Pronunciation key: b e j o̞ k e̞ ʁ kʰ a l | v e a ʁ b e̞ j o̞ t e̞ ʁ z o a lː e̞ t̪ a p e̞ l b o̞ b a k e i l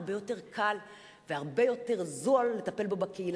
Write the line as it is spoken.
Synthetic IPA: b e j o̞ t e̞ ʁ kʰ a l | v e a ʁ b e̞ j o̞ t e̞ ʁ z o a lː e̞ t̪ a p e̞ l b o̞ b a k e i l